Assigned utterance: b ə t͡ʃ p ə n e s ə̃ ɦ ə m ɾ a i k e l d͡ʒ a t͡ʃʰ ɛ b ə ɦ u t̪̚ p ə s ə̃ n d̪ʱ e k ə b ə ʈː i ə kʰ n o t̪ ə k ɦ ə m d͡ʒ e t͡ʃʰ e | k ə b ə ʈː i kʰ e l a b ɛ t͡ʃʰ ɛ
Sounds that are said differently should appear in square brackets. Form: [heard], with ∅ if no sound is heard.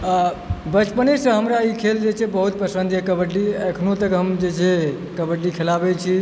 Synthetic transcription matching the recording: b ə t͡ʃ p ə n e s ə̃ ɦ ə m ɾ a i [kʰ] e l d͡ʒ [e] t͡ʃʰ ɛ b ə ɦ u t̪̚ p ə s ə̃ n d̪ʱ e k ə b ə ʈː i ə kʰ n o t̪ ə k ɦ ə m d͡ʒ e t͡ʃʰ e | k ə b ə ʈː i kʰ e l a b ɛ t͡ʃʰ [i]